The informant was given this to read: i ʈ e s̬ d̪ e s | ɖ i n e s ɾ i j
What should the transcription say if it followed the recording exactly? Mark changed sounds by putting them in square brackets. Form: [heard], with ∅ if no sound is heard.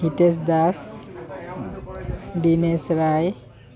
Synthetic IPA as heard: i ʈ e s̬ d̪ [a] s | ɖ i n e s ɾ [a] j